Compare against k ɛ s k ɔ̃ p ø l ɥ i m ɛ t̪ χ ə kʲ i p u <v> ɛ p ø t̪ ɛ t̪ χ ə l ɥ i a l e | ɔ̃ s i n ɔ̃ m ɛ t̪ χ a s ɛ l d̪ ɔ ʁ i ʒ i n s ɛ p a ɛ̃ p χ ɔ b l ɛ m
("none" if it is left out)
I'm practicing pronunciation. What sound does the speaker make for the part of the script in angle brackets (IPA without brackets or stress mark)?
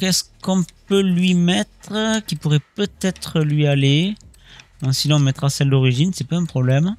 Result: ʁ